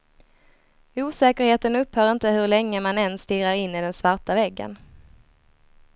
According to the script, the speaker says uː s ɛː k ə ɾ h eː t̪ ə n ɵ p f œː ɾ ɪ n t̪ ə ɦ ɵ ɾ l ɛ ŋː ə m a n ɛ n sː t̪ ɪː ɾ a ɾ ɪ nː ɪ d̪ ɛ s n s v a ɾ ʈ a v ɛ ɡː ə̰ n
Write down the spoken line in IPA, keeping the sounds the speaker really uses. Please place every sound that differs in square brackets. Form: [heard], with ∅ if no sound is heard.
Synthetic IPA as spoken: uː s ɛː k ə ɾ h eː t̪ ə n ɵ p [h] œː ɾ ɪ n t̪ ə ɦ ɵ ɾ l ɛ ŋː ə m a n ɛ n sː t̪ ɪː ɾ a ɾ ɪ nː ɪ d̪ ɛ [∅] n s v a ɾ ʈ a v ɛ ɡː ə̰ n